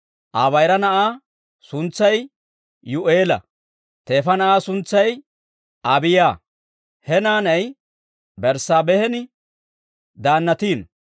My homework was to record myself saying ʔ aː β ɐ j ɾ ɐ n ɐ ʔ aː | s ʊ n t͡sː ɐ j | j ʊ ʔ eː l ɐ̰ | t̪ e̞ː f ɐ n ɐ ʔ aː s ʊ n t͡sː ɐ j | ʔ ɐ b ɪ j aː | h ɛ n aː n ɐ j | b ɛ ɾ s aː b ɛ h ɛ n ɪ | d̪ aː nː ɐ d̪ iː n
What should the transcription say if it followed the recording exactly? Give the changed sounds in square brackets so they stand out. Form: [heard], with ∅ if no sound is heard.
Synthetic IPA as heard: ʔ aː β ɐ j ɾ ɐ n ɐ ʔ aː | s ʊ n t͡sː ɐ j | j ʊ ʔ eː l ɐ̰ | t̪ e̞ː f ɐ n ɐ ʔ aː s ʊ n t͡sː ɐ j | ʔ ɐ b ɪ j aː | h ɛ n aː n ɐ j | b ɛ ɾ s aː b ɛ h ɛ n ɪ | d̪ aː nː ɐ [t̪] iː n